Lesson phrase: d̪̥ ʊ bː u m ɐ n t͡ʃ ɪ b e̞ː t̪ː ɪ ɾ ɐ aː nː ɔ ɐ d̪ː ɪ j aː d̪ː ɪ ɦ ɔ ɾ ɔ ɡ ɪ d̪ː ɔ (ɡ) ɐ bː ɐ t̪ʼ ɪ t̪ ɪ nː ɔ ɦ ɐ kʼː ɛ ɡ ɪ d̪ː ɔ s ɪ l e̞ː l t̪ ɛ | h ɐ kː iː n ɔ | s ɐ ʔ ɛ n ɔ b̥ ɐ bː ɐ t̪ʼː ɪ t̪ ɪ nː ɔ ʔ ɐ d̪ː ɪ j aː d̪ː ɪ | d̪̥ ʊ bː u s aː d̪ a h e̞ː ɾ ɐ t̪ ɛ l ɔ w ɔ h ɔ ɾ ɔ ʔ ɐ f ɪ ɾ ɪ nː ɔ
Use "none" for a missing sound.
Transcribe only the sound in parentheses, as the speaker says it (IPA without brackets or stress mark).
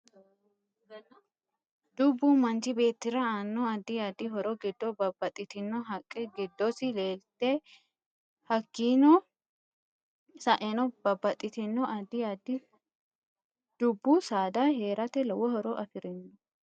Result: b